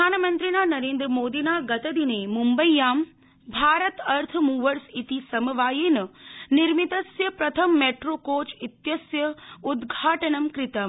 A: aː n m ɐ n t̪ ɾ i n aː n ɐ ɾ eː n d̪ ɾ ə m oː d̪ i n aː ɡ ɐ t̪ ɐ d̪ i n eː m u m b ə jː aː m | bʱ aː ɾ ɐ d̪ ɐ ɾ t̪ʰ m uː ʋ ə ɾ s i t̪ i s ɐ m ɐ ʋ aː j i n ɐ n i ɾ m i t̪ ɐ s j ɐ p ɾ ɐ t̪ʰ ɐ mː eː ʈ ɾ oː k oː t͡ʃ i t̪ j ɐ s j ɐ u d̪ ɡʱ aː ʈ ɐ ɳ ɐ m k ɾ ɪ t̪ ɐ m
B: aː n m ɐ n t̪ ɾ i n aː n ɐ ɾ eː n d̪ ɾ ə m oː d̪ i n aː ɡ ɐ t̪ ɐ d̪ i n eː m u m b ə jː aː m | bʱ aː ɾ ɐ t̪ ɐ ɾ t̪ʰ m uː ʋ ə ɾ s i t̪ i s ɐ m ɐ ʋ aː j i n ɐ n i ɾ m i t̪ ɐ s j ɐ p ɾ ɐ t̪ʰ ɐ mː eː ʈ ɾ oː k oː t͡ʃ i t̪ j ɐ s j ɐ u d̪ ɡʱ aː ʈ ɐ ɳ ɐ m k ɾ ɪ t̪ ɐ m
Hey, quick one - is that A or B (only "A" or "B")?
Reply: B